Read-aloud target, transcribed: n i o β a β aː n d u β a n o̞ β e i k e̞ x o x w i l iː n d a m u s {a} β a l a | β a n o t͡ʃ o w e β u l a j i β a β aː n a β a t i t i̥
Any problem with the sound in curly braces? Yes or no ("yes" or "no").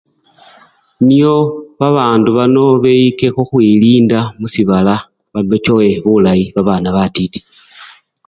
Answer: yes